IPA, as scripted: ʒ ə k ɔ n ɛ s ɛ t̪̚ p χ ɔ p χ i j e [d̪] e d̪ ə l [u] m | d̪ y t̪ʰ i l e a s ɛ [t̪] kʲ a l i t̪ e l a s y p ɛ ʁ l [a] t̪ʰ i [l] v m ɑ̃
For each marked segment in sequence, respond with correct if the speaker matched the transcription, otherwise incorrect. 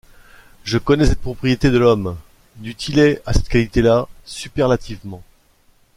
incorrect: t̪, incorrect: ɔ, correct, correct, incorrect: none

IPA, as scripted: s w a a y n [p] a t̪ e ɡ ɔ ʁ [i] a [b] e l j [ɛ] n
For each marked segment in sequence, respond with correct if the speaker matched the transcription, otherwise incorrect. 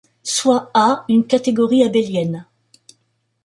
incorrect: k, correct, correct, correct

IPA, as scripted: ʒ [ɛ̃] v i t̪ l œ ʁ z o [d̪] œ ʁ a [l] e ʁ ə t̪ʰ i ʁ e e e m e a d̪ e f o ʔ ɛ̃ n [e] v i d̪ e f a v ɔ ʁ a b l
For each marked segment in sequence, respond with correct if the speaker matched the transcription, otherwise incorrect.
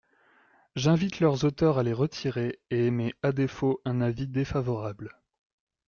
correct, incorrect: t̪, correct, incorrect: a

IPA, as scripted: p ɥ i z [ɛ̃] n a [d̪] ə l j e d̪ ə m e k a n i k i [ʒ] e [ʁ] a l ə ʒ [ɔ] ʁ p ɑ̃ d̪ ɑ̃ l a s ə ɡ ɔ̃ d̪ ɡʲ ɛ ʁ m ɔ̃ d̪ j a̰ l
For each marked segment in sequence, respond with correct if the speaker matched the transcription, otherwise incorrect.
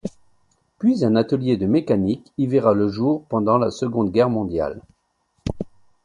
correct, incorrect: t̪, incorrect: v, correct, incorrect: u

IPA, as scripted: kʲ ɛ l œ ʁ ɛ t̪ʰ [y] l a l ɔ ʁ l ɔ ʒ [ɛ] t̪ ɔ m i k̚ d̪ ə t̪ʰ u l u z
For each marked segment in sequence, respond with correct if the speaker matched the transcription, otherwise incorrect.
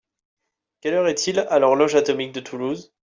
incorrect: i, incorrect: a

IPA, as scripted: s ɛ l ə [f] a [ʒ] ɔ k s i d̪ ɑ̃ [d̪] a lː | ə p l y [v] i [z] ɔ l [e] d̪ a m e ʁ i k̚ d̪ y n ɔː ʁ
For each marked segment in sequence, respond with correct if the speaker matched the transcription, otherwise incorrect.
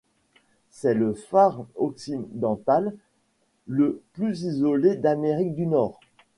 correct, incorrect: ʁ, incorrect: t̪, incorrect: z, correct, correct

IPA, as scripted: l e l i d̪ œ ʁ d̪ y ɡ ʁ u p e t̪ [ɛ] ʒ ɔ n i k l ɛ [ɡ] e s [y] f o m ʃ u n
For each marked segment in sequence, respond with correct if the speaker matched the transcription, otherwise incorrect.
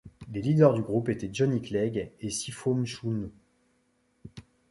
correct, correct, incorrect: i

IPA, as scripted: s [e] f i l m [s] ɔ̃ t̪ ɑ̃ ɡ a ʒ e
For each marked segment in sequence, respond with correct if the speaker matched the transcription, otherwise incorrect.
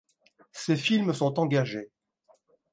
correct, correct

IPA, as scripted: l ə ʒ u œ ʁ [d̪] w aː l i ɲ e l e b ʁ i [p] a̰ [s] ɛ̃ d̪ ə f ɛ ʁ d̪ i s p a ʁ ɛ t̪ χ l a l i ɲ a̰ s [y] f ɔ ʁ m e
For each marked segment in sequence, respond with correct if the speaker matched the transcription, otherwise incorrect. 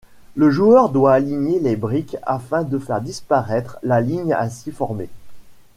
correct, incorrect: k, incorrect: f, incorrect: i

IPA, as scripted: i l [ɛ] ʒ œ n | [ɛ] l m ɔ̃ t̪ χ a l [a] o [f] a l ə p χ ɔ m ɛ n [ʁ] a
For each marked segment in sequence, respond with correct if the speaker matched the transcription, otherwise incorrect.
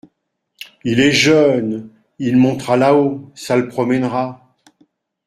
correct, incorrect: i, correct, incorrect: s, correct

